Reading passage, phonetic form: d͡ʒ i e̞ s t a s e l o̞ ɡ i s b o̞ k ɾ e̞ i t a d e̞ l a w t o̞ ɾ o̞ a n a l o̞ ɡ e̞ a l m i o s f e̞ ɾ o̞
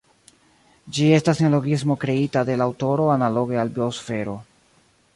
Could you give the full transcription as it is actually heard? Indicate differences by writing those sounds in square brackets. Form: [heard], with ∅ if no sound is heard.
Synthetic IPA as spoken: d͡ʒ i e̞ s t a s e l o̞ ɡ i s [m] o̞ k ɾ e̞ i t a d e̞ l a w t o̞ ɾ o̞ a n a l o̞ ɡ e̞ a l [b] i o s f e̞ ɾ o̞